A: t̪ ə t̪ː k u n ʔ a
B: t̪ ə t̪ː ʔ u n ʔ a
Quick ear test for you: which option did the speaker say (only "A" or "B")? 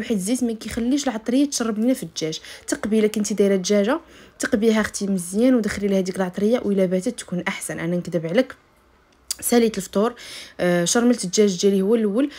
A